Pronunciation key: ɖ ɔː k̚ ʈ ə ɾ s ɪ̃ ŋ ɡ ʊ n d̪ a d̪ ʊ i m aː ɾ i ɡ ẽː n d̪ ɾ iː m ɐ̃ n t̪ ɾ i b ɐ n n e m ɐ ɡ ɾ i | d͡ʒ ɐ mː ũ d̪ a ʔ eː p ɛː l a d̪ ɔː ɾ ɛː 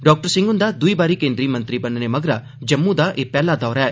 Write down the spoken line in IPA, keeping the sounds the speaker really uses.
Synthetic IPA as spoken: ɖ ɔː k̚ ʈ ə ɾ s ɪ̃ ŋ ɡ ʊ n d̪ a d̪ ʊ i b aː ɾ i k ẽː n d̪ ɾ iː m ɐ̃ n t̪ ɾ i b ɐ n n e m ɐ ɡ ɾ a | d͡ʒ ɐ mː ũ d̪ a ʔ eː p ɛː l a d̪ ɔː ɾ ɛː